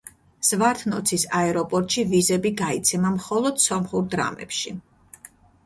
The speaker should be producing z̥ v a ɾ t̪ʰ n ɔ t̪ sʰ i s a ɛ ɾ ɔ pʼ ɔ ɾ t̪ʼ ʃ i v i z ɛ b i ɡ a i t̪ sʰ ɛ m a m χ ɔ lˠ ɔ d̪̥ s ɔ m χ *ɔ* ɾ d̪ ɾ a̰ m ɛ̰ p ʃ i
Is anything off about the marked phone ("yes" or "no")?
yes